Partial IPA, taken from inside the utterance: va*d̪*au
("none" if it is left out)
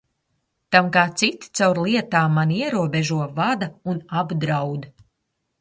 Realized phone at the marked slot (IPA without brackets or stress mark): d̪